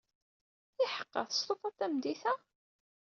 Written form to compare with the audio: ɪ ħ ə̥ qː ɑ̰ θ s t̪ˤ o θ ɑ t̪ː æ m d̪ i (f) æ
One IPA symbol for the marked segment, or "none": θ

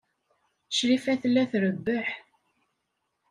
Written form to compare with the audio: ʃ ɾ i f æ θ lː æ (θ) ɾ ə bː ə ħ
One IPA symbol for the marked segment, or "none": θ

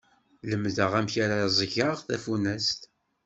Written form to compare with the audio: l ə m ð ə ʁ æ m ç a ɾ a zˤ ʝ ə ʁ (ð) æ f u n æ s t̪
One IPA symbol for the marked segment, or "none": θ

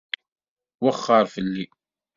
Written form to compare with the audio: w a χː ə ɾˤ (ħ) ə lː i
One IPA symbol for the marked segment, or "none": f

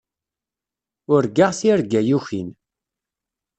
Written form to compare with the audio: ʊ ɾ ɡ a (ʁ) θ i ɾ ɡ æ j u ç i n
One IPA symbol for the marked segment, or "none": ʁ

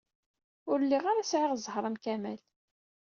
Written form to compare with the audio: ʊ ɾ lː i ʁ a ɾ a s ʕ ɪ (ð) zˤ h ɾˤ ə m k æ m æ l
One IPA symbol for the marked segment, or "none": ʁ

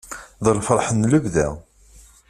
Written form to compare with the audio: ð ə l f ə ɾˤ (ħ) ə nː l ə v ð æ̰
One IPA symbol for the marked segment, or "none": ħ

